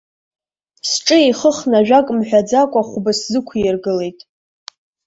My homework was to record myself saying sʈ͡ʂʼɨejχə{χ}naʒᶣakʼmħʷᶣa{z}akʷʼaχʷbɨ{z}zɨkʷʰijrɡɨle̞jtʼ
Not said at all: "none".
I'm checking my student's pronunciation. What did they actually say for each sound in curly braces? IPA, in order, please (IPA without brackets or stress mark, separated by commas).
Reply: χ, d͡z, s